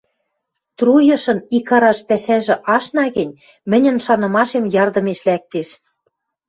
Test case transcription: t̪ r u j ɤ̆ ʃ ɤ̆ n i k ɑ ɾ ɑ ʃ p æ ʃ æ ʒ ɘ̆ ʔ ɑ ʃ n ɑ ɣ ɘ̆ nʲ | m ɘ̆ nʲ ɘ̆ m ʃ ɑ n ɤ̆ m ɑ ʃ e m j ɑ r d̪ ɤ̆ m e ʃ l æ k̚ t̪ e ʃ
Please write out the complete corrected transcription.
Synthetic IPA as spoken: t̪ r u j ɤ̆ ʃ ɤ̆ n i k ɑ ɾ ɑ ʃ p æ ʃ æ ʒ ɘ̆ ʔ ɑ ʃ n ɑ ɣ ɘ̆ nʲ | m ɘ̆ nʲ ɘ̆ n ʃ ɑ n ɤ̆ m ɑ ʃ e m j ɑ r d̪ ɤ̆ m e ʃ l æ k̚ t̪ e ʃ